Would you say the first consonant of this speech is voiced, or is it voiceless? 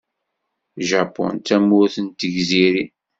voiced